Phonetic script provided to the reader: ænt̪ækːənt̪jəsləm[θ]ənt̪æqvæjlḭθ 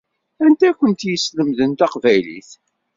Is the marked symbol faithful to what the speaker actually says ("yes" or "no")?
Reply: no